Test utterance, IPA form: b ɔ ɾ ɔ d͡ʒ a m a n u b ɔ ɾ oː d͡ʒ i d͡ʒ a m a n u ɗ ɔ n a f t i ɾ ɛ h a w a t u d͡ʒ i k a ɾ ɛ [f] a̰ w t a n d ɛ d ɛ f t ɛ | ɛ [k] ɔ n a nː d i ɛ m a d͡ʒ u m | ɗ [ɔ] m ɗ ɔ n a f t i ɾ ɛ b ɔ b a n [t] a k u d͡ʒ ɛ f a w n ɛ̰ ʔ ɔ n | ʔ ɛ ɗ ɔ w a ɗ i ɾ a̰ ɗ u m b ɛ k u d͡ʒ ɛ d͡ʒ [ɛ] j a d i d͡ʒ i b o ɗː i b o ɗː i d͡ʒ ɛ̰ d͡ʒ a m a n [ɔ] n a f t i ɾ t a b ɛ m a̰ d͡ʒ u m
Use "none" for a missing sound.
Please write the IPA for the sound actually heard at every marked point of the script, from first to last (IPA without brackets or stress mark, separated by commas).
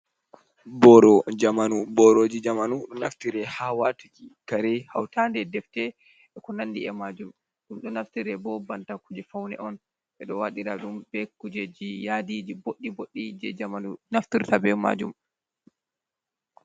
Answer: h, k, u, t, i, u